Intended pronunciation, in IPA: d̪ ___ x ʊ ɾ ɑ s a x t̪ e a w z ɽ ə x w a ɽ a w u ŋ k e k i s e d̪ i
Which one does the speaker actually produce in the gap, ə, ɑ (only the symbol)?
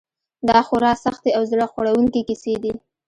ɑ